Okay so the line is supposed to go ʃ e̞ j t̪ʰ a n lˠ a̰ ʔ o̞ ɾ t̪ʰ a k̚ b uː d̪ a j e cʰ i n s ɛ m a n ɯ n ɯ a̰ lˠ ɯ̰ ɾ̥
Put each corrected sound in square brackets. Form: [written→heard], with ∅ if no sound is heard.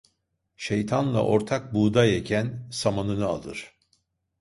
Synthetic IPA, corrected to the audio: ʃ e̞ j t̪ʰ a n lˠ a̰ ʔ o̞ ɾ t̪ʰ a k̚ b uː d̪ a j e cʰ [i→æ] n s [ɛ→a] m a n ɯ n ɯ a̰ lˠ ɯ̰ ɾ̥